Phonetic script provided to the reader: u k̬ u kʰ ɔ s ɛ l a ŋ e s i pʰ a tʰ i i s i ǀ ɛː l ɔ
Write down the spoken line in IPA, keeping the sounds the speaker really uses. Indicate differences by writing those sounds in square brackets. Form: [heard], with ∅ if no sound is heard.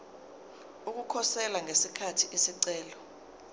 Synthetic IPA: u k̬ u kʰ ɔ s ɛ l a ŋ e s i [kʰ] a tʰ i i s i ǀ ɛː l ɔ